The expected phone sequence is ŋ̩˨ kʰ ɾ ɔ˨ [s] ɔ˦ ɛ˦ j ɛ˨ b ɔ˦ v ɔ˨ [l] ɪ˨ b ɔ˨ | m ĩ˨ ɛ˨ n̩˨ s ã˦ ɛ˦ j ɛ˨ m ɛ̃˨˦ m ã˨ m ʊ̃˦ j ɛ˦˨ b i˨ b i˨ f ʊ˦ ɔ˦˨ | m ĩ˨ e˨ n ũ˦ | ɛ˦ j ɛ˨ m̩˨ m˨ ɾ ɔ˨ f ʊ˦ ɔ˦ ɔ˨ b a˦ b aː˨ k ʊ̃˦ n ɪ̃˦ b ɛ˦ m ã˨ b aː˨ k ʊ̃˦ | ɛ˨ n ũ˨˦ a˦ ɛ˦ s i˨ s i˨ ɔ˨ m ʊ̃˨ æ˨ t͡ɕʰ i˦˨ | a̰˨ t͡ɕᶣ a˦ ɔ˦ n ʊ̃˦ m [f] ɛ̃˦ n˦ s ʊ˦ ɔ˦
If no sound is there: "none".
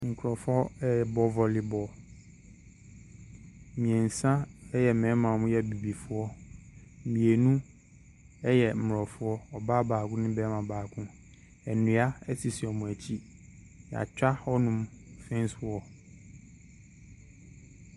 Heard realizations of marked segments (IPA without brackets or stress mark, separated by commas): f, l, f